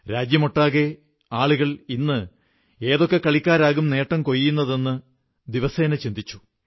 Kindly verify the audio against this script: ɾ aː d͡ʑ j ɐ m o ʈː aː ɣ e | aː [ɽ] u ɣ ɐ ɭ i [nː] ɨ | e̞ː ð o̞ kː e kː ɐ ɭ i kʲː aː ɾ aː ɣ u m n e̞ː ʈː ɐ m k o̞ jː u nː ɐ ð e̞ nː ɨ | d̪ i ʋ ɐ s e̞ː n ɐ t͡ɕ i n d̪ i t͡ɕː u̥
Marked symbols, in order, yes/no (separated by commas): no, yes